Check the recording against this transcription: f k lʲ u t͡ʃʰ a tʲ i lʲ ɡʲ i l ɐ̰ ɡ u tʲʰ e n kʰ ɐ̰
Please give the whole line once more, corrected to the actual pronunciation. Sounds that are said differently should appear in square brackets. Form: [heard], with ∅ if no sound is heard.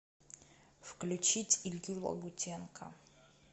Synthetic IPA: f k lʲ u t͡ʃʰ [i] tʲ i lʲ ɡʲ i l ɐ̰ ɡ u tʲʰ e n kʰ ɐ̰